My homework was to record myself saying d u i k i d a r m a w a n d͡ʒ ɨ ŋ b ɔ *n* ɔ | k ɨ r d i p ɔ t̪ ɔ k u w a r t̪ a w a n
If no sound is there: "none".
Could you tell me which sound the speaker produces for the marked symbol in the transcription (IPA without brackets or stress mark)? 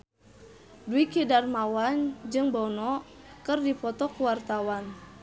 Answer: n